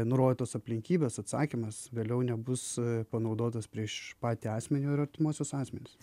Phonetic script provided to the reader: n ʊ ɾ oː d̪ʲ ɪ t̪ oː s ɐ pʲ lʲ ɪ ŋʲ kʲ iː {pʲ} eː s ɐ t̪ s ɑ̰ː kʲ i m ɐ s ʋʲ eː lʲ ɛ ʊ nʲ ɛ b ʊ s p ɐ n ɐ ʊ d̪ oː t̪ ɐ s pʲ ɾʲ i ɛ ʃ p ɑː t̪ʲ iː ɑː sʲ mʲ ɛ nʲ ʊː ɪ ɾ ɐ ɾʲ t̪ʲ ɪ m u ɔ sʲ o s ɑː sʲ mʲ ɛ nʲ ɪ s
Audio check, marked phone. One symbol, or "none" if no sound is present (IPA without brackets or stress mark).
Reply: bʲ